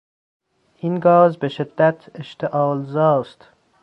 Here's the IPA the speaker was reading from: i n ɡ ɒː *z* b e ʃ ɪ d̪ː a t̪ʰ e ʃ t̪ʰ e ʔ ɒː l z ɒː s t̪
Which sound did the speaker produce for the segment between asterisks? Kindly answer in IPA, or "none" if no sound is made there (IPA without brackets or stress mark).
z